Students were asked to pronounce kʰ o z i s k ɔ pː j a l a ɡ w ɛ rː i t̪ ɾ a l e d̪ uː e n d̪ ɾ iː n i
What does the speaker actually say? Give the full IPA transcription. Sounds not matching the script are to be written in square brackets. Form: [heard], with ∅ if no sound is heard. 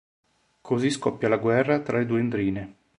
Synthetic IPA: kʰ o z i s k ɔ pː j a l a ɡ w ɛ rː [a] t̪ ɾ a l e d̪ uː e n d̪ ɾ iː n [e]